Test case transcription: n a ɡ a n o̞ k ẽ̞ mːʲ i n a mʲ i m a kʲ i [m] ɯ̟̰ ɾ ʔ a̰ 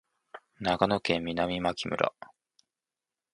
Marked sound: correct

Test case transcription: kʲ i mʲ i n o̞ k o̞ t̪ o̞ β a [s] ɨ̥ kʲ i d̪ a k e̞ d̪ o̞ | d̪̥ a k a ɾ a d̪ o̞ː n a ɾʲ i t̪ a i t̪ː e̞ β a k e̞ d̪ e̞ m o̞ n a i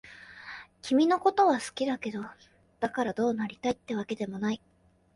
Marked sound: correct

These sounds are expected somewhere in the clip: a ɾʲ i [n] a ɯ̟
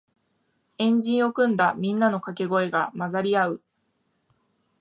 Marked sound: incorrect: none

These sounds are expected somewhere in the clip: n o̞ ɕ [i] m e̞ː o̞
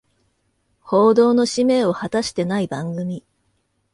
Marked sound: correct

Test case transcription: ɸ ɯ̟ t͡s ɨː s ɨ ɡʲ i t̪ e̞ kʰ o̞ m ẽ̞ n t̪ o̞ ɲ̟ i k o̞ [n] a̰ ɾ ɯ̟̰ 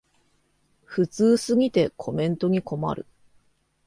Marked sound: incorrect: m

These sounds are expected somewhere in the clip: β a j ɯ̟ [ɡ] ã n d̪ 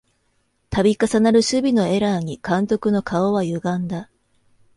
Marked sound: correct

